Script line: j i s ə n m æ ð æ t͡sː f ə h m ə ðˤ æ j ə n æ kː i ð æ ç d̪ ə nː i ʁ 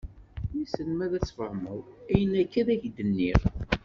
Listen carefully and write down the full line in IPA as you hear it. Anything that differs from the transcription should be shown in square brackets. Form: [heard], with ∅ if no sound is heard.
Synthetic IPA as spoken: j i s ə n m æ ð æ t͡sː f ə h m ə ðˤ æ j ə n æ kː [æ] ð æ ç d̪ ə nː i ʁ